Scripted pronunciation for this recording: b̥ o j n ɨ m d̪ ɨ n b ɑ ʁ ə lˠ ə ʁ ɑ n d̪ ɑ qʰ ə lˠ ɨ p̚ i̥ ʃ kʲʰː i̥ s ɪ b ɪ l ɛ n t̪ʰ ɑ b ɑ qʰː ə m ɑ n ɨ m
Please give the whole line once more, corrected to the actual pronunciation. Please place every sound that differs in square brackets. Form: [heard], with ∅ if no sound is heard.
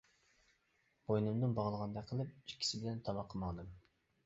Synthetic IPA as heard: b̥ o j n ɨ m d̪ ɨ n b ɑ ʁ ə lˠ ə ʁ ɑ n d̪ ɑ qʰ ə lˠ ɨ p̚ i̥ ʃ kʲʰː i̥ s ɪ b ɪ l ɛ n t̪ʰ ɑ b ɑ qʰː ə m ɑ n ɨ m